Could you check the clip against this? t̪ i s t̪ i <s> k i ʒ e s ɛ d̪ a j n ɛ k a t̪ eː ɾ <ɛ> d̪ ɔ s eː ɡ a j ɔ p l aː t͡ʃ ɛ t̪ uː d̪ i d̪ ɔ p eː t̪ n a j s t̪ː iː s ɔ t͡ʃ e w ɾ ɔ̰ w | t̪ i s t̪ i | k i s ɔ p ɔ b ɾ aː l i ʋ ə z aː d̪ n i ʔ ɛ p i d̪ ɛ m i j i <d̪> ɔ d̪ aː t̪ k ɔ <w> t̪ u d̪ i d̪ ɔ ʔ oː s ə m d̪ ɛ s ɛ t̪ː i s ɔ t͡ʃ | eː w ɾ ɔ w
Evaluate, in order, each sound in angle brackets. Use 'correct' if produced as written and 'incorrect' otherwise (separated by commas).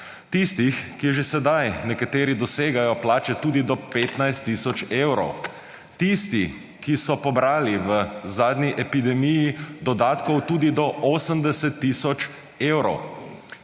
incorrect, incorrect, correct, correct